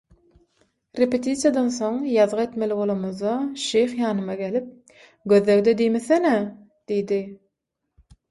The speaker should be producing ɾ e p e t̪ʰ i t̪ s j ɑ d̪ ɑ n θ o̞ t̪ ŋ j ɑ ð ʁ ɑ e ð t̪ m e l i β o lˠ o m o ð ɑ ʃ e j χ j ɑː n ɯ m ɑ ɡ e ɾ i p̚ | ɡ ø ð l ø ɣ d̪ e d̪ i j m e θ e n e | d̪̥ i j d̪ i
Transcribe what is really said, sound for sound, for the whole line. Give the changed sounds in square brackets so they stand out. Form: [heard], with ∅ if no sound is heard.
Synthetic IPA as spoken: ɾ e p e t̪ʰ i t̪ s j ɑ d̪ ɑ n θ o̞ [∅] ŋ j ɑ ð ʁ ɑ e [∅] t̪ m e l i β o lˠ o m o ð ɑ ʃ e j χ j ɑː n ɯ m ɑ ɡ e [l] i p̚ | ɡ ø ð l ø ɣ d̪ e d̪ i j m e θ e n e | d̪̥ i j d̪ i